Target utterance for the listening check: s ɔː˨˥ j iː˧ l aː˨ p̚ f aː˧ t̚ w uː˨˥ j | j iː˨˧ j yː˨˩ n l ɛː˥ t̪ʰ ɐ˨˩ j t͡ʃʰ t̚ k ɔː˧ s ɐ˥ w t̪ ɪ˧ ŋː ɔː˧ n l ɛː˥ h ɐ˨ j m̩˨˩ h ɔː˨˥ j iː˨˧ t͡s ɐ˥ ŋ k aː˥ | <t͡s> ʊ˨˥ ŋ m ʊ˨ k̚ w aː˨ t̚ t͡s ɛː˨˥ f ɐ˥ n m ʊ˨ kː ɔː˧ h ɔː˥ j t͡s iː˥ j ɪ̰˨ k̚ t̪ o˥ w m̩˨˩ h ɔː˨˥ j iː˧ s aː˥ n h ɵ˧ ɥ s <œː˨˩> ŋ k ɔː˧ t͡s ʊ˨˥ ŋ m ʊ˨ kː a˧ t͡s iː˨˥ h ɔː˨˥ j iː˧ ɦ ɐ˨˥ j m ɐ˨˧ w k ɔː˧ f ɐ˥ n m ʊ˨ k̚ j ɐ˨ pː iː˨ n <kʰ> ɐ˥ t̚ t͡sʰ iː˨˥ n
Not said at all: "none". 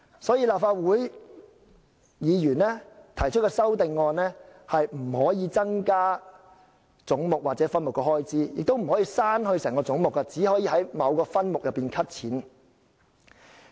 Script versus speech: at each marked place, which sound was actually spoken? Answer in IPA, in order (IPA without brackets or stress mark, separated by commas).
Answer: t͡s, ɛː˨˩, kʰ